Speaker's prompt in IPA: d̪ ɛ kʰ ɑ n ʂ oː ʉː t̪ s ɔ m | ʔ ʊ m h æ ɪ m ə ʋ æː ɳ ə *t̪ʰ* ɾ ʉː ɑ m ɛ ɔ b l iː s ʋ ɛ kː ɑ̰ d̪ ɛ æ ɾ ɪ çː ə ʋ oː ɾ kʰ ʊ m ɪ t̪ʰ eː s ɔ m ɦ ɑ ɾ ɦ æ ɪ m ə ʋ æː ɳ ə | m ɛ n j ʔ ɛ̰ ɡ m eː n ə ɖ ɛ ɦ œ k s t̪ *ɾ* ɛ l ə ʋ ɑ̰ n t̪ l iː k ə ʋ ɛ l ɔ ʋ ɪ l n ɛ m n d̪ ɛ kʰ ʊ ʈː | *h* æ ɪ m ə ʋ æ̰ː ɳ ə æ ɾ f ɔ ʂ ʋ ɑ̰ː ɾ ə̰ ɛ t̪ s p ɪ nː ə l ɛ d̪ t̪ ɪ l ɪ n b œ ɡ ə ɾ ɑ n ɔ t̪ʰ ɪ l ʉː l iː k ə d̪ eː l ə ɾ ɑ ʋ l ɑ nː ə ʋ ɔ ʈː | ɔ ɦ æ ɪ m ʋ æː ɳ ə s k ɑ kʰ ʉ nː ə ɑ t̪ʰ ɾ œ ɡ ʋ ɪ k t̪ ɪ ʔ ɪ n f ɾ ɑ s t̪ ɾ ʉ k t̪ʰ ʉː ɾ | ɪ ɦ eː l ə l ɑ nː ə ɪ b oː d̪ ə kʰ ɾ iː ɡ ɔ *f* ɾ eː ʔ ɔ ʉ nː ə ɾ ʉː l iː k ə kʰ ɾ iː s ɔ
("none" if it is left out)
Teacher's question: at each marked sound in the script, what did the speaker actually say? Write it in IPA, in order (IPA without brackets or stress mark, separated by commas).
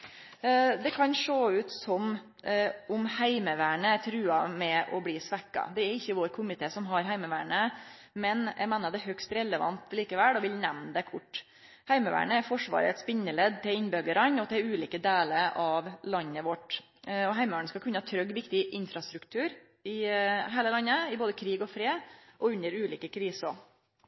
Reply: t̪ʰ, ɾ, h, f